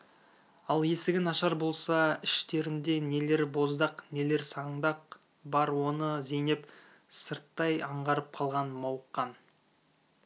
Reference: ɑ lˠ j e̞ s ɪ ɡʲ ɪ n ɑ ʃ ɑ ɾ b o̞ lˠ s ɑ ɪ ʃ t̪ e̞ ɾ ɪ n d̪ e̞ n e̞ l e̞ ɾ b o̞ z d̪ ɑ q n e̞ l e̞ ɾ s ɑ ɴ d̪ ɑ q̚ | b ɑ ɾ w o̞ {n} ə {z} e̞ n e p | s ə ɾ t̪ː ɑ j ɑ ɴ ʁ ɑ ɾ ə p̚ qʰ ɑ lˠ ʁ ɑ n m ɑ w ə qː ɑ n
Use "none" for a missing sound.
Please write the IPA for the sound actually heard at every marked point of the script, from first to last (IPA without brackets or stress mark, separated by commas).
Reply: n, z